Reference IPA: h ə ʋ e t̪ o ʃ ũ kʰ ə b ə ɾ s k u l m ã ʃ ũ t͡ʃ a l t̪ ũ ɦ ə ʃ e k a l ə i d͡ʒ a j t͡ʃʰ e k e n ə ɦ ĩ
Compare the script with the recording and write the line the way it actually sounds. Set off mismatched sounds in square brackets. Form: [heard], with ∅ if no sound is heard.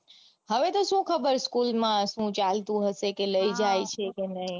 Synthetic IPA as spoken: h ə ʋ e t̪ o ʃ ũ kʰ ə b ə ɾ s k u l m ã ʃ ũ t͡ʃ a l t̪ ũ ɦ ə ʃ e k [e] l ə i d͡ʒ a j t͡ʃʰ e k e n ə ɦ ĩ